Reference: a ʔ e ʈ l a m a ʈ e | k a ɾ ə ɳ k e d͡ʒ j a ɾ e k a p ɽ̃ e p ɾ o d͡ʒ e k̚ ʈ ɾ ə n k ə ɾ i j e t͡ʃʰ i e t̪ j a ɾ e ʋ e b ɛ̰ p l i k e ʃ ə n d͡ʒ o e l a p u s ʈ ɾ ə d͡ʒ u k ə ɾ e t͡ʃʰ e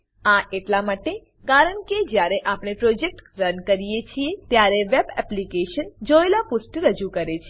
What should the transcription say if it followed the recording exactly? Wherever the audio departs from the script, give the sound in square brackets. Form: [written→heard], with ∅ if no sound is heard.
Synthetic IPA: a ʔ e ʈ l a m a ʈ e | k a ɾ ə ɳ k e d͡ʒ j a ɾ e [k→ʔ] a p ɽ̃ e p ɾ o d͡ʒ e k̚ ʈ ɾ ə n k ə ɾ i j e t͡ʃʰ i e t̪ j a ɾ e ʋ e b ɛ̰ p l i k e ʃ ə n d͡ʒ o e l a p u s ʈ ɾ ə d͡ʒ u k ə ɾ e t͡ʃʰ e

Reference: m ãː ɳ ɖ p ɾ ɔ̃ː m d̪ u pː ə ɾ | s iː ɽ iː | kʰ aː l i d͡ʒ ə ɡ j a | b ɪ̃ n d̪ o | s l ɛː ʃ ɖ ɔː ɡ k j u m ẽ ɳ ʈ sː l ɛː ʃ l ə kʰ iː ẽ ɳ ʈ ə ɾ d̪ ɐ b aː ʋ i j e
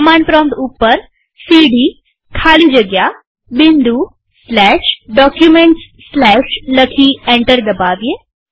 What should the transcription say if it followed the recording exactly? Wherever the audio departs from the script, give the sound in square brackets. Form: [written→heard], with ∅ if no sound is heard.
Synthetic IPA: m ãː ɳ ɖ p ɾ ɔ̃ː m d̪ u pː ə ɾ | s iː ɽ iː | kʰ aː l i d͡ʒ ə ɡ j a | b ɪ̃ n d̪ [o→u] | s l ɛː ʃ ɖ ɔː [ɡ→∅] k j u m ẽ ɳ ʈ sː l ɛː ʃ l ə kʰ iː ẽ ɳ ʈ ə ɾ d̪ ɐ b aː ʋ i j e

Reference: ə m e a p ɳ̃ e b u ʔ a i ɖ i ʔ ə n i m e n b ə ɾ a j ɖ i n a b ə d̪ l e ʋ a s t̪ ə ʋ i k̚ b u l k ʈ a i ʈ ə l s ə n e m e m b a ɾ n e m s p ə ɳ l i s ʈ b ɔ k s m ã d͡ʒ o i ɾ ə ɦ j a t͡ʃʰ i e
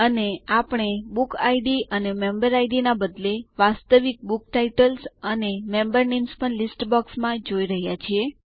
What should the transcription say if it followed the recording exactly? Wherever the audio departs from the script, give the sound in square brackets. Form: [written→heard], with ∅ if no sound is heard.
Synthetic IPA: ə [m→n] e a p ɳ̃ e b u [ʔ→k] a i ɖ i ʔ ə n [i→e] m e [n→m] b ə ɾ a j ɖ i n a b ə d̪ l e ʋ a s t̪ ə ʋ i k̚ b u [l→∅] k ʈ a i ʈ ə l s ə n e m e m b [a→ə] ɾ n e m s p ə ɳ l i s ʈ b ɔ k s m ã d͡ʒ o i ɾ ə ɦ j a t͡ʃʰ i e

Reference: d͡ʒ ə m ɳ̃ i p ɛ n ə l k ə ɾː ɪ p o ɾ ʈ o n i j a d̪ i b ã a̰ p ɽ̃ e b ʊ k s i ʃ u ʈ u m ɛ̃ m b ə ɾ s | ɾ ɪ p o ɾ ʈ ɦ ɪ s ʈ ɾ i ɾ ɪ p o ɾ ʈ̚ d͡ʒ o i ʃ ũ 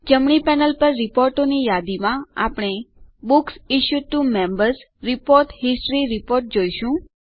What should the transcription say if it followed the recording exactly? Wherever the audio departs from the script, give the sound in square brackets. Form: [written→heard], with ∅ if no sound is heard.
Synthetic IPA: d͡ʒ ə m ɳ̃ i p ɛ n ə l [k→p] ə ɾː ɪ p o ɾ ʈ o n i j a d̪ i [b→m] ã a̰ p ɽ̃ e b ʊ k s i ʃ u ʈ u m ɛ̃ m b ə ɾ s | ɾ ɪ p o ɾ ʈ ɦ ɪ s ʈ ɾ i ɾ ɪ p o ɾ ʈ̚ d͡ʒ o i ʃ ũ

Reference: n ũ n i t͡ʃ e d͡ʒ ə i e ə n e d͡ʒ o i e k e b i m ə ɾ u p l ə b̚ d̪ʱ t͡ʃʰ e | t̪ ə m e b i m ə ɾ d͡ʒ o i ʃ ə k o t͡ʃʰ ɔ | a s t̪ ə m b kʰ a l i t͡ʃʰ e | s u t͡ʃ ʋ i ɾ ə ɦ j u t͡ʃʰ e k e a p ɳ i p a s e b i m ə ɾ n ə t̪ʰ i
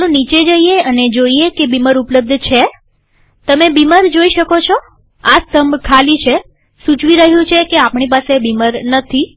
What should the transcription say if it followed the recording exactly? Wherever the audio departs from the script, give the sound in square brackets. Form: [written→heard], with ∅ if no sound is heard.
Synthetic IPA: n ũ n i t͡ʃ e d͡ʒ ə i e ə n e d͡ʒ o i e k e b i m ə ɾ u p l ə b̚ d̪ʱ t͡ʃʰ e | t̪ ə m e b i m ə ɾ d͡ʒ o i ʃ ə k o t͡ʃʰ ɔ | a s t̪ ə m b kʰ a l i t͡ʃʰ e | s u t͡ʃ ʋ i ɾ ə ɦ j [u→ũ] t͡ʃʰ e k e a p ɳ i p a s e b i m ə ɾ n ə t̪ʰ i

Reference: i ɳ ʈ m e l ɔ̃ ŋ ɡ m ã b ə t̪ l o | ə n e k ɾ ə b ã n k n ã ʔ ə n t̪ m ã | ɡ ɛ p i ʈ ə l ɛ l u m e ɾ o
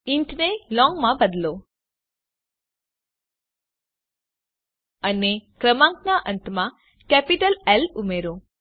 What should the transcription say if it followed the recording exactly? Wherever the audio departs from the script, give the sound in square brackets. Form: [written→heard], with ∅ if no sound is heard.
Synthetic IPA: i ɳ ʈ [m→n] e l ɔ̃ ŋ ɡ m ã b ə [t̪→d̪] l o | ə n e k ɾ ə [b→m] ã [n→ŋ] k n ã ʔ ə n t̪ m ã | [ɡ→k] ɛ p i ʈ ə l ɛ l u m e ɾ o

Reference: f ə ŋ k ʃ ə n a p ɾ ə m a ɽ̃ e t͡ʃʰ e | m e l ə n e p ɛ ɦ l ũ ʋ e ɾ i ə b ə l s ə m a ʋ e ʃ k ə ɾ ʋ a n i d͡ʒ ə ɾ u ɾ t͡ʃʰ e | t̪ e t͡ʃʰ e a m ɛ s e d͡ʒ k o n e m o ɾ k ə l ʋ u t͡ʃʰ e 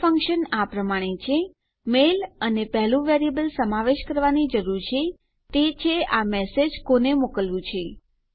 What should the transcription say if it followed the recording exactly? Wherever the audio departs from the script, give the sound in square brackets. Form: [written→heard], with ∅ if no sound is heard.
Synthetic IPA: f ə ŋ k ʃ ə n a p ɾ ə m a ɽ̃ e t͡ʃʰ e | m e l ə n e p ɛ ɦ l ũ ʋ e ɾ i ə b ə l s ə m a ʋ e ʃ k ə ɾ ʋ a n i d͡ʒ ə ɾ u ɾ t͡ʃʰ e | t̪ e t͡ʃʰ e a m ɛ s e d͡ʒ k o n e m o [ɾ→∅] k ə l ʋ [u→ũ] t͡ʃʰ e

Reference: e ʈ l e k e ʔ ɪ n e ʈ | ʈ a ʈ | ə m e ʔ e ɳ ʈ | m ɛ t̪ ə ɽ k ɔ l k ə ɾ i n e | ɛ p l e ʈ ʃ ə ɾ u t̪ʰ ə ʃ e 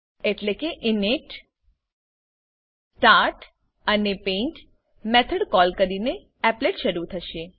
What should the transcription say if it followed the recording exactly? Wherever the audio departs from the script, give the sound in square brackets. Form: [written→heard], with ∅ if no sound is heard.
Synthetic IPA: e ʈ l e k e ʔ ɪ n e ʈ | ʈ a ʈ | ə [m→n] e [ʔ→p] e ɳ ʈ | m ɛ [t̪→t̪ʰ] ə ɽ k ɔ l k ə ɾ i n e | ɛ p l e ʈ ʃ ə ɾ u t̪ʰ ə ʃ e

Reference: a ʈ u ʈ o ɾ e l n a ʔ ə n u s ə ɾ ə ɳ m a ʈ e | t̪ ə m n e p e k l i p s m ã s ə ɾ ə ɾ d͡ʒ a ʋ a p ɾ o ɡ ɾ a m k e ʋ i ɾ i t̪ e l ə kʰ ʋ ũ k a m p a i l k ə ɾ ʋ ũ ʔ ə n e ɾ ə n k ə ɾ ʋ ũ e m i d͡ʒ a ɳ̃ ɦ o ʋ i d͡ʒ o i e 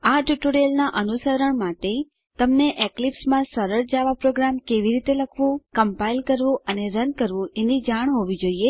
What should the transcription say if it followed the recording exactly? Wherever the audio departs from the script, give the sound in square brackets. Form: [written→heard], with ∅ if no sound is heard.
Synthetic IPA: a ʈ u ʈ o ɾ e l n a ʔ ə n u s ə ɾ ə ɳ m a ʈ e | t̪ ə m n e [p→ʔ] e k l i p s m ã s ə ɾ ə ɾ d͡ʒ a ʋ a p ɾ o ɡ ɾ a m k e ʋ i ɾ i t̪ e l ə kʰ ʋ ũ k [a→ə] m p a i l k ə ɾ ʋ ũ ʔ ə n e ɾ ə n k ə ɾ ʋ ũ e [m→n] i d͡ʒ a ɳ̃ ɦ o ʋ i d͡ʒ o i e

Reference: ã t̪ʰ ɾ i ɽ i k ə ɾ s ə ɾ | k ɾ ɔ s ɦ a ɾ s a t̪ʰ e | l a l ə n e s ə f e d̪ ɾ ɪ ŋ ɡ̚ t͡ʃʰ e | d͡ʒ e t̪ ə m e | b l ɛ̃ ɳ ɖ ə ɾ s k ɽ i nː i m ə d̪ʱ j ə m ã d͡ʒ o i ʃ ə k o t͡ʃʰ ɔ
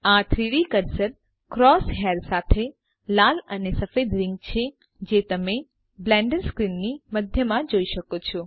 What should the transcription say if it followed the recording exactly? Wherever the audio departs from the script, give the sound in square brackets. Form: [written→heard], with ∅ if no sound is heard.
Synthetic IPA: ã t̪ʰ ɾ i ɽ i k ə ɾ s ə ɾ | k ɾ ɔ s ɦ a ɾ s a t̪ʰ e | l a l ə n e s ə f e d̪ ɾ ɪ ŋ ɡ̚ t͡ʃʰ e | d͡ʒ e t̪ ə m e | b l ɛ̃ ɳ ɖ ə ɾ s k [ɽ→ɾ] i nː i m ə d̪ʱ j ə m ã d͡ʒ o i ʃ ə k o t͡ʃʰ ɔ

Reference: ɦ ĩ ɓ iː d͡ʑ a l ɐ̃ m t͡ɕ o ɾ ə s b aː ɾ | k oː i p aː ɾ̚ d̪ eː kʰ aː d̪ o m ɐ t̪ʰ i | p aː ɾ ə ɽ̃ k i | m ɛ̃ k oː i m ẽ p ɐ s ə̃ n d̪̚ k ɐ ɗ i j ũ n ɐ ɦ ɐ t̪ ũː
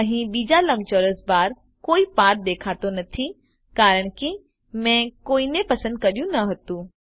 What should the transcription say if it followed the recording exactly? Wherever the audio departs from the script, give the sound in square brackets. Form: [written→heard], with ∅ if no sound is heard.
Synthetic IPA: ɦ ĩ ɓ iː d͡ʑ a l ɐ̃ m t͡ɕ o ɾ ə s b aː ɾ | k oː i p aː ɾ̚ d̪ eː kʰ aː [d̪→t̪] o [m→n] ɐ t̪ʰ i | [p→k] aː ɾ ə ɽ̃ k i | m ɛ̃ k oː i [m→n] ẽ p ɐ s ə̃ n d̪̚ k ɐ ɗ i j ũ n ɐ ɦ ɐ t̪ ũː

